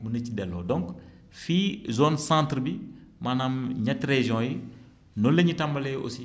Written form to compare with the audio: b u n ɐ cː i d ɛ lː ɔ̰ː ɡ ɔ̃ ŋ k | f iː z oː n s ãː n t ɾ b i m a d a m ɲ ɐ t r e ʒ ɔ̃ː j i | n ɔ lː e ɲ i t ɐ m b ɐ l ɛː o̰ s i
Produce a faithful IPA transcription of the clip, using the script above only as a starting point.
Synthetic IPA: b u n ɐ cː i d ɛ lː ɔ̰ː d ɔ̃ ŋ k | f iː z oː n s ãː n t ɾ b i m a n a m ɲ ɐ t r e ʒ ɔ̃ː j i | n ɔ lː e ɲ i t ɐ m b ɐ l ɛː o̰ s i

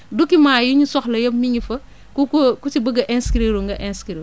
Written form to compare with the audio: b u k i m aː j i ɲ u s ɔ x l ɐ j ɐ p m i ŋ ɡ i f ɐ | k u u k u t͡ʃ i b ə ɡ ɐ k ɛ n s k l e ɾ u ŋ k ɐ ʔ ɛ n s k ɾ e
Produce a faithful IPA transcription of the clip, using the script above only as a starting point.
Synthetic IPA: d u k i m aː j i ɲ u s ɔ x l ɐ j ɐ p m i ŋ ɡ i f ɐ | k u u k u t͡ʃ i b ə ɡ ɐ ʔ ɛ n s k ɾ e ɾ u ŋ ɡ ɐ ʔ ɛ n s k ɾ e

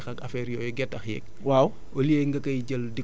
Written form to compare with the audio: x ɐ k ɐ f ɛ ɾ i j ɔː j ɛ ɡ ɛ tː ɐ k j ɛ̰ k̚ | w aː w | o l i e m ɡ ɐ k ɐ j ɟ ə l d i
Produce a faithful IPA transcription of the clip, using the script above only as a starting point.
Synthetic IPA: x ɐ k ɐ f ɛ ɾ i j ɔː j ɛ ɡ ɛ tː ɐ x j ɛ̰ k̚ | w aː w | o l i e ŋ ɡ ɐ k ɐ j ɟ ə l d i

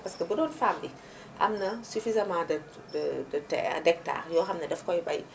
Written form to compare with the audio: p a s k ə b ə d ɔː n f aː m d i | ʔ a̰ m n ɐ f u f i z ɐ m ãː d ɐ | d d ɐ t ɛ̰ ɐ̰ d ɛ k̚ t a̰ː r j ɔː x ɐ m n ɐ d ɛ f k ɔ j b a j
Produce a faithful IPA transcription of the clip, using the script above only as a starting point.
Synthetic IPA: p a s k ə b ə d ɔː n f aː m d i | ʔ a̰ m n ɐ s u f i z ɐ m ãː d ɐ | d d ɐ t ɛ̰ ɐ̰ d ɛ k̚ t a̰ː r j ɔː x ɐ m n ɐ d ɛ f k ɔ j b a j

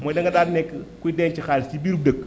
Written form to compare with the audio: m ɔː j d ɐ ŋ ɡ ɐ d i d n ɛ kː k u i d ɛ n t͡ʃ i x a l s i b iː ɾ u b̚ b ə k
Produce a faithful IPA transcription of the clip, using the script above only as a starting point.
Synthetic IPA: m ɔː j d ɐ ŋ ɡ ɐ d a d n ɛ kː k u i d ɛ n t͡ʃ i x a l s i b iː ɾ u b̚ d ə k

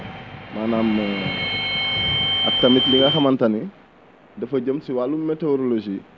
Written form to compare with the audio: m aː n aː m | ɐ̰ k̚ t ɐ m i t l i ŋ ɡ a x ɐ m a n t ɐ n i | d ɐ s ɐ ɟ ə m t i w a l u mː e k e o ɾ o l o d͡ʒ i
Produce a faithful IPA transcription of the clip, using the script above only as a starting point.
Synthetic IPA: m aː n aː m | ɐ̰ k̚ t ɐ m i t l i ŋ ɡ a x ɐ m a n t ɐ n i | d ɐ f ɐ ɟ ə m s i w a l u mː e t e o ɾ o l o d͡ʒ i

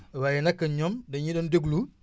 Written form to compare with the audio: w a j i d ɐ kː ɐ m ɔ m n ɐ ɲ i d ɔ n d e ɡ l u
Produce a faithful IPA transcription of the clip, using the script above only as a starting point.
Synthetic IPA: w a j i n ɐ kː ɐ ɲ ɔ m d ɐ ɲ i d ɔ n d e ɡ l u

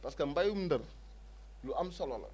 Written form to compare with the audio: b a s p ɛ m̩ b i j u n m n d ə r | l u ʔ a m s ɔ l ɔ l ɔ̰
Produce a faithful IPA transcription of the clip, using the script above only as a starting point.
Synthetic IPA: p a s k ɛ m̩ b a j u m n d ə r | l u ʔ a m s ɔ l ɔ l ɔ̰

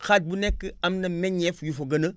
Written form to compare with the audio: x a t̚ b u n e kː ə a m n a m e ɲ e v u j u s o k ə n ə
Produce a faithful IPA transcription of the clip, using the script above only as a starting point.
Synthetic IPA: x a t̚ b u n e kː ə a m n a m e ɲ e f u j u f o ɡ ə n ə

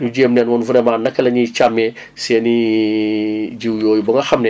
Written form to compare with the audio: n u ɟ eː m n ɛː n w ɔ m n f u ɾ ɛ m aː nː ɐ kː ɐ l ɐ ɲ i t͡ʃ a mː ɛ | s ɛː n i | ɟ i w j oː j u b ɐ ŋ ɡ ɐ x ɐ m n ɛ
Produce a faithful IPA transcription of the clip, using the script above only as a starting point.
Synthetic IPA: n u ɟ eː m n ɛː n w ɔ n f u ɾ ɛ m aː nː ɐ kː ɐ l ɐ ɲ i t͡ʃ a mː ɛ | s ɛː n i | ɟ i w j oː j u b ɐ ŋ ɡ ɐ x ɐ m n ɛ

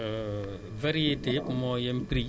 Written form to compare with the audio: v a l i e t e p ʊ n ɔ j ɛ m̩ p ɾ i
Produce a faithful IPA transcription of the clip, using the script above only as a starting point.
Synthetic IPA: v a ɾ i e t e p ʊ m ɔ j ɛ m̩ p ɾ i

